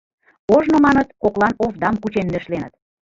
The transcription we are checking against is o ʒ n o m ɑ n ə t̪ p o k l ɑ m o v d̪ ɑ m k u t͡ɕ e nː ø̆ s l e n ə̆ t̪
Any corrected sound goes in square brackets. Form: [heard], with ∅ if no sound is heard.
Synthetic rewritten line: o ʒ n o m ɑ n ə t̪ [k] o k l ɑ [n] o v d̪ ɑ m k u t͡ɕ e nː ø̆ [ʃ] l e n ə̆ t̪